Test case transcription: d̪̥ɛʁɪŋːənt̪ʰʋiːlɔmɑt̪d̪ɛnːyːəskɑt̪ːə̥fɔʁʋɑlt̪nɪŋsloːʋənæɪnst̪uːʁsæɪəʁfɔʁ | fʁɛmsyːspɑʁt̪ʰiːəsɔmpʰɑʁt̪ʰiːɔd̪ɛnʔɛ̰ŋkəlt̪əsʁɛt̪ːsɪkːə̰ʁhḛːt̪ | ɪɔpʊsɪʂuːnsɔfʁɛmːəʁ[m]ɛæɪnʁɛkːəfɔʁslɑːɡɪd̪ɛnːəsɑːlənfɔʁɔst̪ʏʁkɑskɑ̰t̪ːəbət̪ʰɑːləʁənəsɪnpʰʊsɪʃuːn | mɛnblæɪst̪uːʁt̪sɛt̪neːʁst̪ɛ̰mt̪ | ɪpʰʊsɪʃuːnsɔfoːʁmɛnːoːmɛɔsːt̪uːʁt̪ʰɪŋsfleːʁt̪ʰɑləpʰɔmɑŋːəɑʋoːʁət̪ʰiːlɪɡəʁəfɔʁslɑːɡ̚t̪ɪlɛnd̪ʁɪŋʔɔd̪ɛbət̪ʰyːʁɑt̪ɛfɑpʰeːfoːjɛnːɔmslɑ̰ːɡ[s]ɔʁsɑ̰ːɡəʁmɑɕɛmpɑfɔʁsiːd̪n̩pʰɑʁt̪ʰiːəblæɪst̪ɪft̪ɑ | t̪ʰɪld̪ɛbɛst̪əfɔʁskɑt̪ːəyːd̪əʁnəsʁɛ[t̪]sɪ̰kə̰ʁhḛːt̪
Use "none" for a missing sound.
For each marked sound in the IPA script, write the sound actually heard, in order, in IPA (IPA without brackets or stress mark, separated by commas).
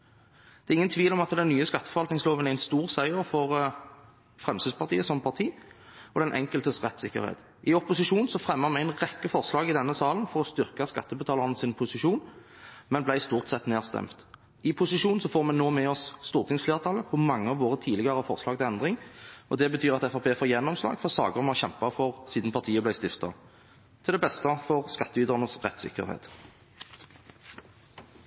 m, f, t̪